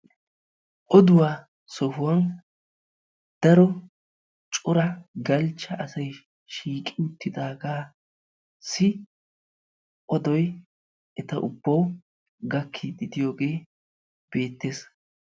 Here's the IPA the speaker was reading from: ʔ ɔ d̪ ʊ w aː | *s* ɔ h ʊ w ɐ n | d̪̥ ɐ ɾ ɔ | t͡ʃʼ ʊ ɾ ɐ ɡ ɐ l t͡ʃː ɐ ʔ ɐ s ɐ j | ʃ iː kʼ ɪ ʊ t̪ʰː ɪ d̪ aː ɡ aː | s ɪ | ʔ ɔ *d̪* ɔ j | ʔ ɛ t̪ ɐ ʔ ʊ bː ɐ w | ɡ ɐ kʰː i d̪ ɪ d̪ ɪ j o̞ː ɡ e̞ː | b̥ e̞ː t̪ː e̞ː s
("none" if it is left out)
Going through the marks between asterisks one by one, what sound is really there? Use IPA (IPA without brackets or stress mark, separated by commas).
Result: s, d̪